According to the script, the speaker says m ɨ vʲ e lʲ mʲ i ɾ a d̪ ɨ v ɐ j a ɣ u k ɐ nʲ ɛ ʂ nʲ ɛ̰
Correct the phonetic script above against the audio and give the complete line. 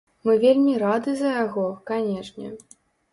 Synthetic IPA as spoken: m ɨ vʲ e lʲ mʲ i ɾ a d̪ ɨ z ɐ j a ɣ ɔ k a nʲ ɛ ʂ nʲ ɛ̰